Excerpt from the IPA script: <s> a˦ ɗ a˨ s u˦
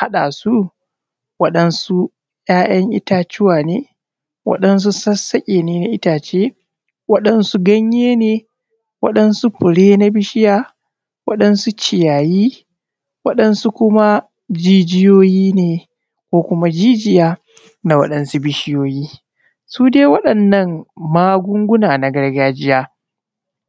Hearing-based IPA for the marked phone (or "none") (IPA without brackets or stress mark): h